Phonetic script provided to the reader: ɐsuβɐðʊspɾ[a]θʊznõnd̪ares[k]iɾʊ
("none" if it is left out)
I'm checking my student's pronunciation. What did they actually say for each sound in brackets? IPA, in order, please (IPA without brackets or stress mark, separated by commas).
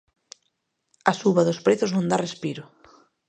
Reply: e, p